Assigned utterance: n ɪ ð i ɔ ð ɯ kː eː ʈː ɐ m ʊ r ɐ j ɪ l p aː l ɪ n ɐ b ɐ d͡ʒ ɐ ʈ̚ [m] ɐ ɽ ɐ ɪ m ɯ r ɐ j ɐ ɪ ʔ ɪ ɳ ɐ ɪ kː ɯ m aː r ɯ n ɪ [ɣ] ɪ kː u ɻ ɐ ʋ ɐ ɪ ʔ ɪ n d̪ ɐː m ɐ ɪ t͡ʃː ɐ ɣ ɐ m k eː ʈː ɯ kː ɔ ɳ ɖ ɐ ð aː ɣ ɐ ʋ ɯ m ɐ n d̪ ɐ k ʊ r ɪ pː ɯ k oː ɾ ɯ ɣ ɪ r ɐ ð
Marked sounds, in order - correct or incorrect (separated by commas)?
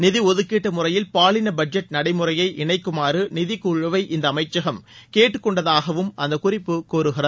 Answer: incorrect, incorrect